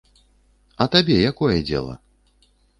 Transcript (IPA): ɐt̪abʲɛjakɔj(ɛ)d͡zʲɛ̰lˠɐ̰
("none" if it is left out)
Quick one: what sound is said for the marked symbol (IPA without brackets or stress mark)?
ɛ